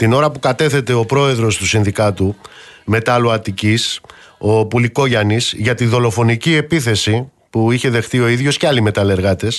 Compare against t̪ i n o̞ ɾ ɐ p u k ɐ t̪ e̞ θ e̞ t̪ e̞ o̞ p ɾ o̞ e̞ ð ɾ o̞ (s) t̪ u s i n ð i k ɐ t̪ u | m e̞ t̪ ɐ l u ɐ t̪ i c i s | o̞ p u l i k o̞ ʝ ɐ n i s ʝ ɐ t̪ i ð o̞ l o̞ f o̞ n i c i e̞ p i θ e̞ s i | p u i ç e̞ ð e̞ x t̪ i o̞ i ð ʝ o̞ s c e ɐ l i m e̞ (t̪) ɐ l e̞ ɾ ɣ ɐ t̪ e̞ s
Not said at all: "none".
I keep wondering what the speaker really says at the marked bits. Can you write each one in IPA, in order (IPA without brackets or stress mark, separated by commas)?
s, t̪